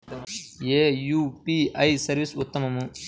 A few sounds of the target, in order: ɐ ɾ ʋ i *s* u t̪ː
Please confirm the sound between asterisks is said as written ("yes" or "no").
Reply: yes